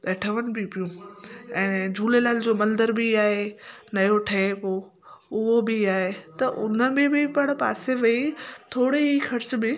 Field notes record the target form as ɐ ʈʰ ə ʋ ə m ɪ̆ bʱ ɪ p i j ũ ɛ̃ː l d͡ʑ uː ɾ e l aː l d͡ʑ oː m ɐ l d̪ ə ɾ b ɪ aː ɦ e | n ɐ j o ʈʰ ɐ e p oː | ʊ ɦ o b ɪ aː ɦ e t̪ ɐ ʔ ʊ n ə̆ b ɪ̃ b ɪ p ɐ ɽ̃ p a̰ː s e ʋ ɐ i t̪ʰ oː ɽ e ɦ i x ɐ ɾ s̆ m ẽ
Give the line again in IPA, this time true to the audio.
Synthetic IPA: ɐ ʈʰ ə ʋ ə n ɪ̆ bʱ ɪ p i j ũ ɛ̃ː d͡ʑ uː l e l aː l d͡ʑ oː m ɐ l d̪ ə ɾ b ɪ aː ɦ e | n ɐ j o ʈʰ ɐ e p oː | ʊ ɦ o b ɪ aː ɦ e t̪ ɐ ʔ ʊ n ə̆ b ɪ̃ b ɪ p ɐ ɽ̃ p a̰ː s e ʋ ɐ i t̪ʰ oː ɽ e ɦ i x ɐ ɾ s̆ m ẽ